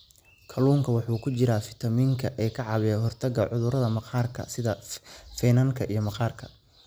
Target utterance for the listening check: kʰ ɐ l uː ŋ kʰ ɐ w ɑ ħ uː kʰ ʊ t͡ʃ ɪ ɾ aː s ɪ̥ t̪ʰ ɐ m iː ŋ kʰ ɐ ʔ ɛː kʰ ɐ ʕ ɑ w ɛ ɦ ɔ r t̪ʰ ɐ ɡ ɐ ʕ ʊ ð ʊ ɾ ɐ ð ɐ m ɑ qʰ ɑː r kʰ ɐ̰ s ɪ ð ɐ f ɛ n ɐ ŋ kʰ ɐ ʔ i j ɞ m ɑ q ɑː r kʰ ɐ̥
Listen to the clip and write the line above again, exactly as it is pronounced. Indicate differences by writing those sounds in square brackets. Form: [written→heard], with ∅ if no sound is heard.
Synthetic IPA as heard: kʰ ɐ l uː ŋ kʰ ɐ w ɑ ħ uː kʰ ʊ t͡ʃ ɪ ɾ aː [s→f] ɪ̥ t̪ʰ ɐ m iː ŋ kʰ ɐ ʔ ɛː kʰ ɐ ʕ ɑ [w→β] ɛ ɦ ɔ r t̪ʰ ɐ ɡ ɐ ʕ ʊ ð ʊ ɾ ɐ ð ɐ m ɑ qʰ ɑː r kʰ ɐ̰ s ɪ ð ɐ f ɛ n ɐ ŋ kʰ ɐ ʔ i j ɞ m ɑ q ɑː r kʰ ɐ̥